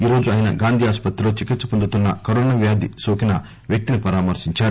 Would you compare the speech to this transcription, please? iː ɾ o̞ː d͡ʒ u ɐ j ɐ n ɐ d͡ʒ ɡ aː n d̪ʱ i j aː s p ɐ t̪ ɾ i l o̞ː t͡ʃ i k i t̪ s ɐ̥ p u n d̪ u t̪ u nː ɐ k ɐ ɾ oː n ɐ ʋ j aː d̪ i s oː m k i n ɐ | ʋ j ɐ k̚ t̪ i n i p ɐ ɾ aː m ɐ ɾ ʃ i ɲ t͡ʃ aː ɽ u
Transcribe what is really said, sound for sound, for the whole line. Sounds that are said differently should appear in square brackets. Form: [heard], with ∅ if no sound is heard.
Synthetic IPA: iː ɾ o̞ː d͡ʒ u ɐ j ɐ n ɐ [∅] ɡ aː n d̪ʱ i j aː s p ɐ t̪ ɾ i l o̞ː t͡ʃ i k i t̪ s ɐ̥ p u n d̪ u t̪ u nː ɐ k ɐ ɾ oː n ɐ ʋ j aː d̪ i s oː [∅] k i n ɐ | ʋ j ɐ k̚ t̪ i n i p ɐ ɾ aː m ɐ ɾ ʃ i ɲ t͡ʃ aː [ɾ] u